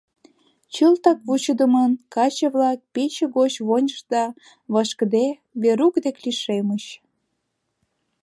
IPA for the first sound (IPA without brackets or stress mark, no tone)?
t͡ɕ